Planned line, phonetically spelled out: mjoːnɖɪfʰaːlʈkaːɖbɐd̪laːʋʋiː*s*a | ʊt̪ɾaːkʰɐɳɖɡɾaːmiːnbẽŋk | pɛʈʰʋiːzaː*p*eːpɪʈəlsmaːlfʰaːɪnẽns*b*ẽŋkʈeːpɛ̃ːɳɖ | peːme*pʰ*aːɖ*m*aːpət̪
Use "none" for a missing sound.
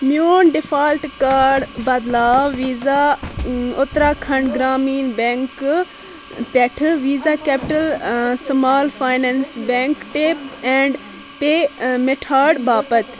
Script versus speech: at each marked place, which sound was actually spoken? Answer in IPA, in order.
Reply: z, k, b, ʈʰ, b

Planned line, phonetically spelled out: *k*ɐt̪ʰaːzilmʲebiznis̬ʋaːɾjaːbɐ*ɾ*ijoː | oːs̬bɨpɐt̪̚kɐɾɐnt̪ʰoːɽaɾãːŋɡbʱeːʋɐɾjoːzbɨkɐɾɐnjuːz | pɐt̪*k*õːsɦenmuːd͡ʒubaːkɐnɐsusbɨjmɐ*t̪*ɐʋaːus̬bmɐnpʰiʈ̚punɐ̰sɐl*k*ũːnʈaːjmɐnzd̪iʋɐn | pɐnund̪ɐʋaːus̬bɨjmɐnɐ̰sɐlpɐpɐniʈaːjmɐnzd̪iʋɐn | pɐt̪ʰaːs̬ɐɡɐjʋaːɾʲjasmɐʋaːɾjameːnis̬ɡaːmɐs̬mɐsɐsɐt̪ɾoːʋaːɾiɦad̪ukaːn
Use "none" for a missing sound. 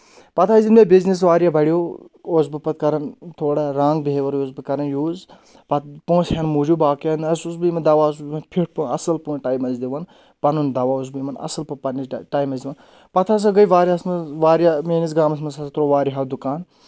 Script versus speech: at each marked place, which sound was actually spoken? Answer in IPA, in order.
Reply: p, ɽ, p, d̪, p

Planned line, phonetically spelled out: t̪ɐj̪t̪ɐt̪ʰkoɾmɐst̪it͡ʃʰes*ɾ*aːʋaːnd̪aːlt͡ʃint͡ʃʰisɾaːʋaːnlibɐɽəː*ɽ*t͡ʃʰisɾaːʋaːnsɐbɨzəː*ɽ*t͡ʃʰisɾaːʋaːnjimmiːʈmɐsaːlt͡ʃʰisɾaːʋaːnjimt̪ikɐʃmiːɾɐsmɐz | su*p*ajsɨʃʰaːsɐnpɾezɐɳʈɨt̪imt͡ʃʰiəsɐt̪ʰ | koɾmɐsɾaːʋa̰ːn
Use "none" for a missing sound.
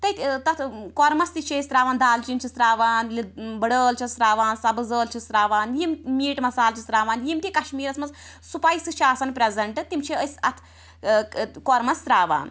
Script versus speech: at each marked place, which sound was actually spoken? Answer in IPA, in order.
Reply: ɾ, l, l, p

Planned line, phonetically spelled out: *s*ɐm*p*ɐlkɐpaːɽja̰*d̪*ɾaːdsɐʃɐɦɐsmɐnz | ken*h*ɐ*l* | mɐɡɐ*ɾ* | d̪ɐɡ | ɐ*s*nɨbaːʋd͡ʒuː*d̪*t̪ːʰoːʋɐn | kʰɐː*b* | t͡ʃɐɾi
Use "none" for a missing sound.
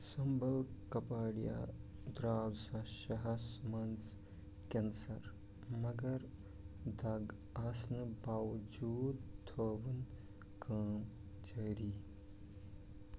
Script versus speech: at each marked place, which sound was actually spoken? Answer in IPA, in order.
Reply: s, b, d̪, s, ɾ, ɾ, s, d̪, m

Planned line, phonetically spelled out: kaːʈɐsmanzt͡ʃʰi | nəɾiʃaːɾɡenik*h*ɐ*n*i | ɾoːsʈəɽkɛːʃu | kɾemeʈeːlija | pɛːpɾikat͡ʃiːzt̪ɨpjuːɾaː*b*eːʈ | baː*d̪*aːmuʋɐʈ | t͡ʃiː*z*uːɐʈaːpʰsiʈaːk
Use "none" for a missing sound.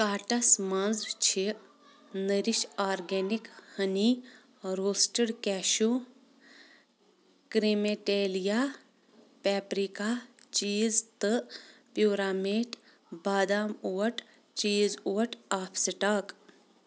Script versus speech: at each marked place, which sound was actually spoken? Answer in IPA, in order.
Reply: h, n, m, d̪, z

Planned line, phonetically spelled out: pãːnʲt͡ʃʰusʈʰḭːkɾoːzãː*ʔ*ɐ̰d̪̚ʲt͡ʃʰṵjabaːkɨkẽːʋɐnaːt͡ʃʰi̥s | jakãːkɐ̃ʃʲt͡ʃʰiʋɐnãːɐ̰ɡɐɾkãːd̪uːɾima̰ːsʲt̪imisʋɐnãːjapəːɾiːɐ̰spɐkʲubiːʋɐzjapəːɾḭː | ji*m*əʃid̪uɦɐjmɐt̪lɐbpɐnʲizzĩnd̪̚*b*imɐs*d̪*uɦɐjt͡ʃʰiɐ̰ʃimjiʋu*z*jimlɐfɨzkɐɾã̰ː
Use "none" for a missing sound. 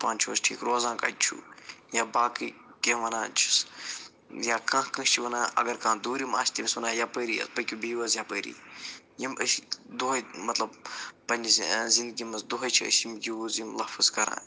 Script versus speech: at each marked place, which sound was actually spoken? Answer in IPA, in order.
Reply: k, m, ɡ, d̪, z

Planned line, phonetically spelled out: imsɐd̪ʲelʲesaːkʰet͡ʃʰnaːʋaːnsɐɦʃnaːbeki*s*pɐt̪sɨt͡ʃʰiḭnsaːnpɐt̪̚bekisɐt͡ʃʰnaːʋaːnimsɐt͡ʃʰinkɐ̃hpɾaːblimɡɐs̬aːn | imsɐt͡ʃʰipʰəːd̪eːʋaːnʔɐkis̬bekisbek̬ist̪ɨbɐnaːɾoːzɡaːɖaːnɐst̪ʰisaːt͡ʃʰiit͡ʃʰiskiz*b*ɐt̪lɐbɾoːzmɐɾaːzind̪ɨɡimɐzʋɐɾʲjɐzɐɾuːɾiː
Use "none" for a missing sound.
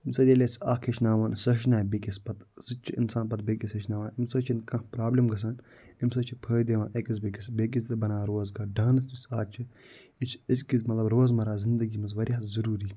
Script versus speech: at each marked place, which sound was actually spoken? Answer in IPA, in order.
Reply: s, m

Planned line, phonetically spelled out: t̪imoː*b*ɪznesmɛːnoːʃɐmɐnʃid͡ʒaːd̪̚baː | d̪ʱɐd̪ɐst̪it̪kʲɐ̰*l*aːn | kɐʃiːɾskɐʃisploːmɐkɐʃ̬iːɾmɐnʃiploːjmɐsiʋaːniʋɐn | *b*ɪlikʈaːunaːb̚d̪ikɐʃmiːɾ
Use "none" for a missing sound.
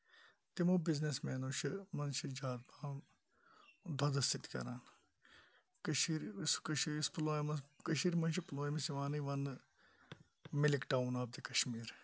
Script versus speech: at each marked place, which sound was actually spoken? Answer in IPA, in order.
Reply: b, ɾ, m

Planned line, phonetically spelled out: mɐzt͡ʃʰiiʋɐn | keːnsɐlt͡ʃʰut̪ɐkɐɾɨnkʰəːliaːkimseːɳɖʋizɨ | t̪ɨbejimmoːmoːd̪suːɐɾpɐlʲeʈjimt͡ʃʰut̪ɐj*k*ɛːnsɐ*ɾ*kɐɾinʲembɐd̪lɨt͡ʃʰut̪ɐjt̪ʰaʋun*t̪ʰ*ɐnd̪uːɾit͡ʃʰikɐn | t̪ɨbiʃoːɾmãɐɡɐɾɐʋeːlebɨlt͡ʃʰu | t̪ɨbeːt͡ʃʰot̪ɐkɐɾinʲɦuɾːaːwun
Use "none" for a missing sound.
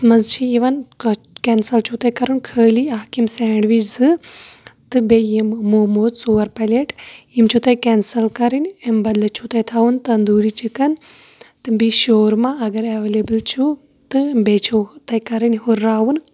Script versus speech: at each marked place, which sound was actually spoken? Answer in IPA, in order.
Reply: k, l, t̪

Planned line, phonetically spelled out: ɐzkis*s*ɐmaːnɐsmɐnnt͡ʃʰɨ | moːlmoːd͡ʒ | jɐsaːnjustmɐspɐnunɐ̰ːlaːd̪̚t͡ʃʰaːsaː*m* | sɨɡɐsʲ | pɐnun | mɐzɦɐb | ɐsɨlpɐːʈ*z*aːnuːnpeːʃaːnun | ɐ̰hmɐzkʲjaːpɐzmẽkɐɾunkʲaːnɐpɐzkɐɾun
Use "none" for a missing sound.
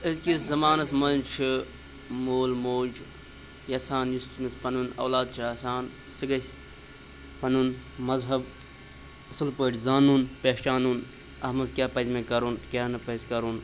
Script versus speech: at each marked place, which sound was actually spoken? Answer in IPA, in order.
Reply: z, n, z

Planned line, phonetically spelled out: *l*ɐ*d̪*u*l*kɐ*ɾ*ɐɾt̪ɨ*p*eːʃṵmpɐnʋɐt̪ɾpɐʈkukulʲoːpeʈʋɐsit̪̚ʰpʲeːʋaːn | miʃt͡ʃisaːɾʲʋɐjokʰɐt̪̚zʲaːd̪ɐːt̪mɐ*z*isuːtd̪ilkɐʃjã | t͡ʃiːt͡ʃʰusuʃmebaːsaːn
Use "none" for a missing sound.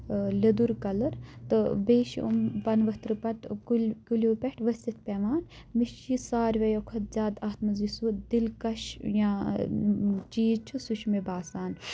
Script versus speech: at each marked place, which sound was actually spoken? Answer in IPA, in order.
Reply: l, d̪, ɾ, l, b, z

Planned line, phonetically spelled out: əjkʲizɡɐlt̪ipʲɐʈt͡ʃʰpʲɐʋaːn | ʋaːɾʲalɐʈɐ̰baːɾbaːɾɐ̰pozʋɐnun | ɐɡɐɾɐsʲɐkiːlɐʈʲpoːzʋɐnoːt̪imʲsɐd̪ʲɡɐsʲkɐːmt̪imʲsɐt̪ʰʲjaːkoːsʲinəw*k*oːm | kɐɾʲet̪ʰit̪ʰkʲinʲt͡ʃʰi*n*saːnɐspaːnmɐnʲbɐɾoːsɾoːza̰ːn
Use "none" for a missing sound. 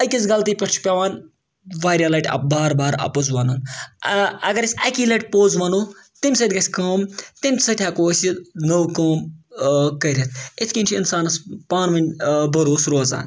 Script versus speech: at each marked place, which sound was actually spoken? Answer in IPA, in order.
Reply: k, n

